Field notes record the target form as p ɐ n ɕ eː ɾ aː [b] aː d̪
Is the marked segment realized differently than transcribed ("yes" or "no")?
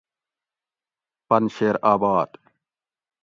no